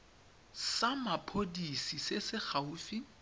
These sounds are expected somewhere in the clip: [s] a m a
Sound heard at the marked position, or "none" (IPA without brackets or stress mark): s